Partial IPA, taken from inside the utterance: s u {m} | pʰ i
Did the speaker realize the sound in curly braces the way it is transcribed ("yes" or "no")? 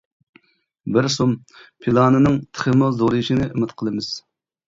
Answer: yes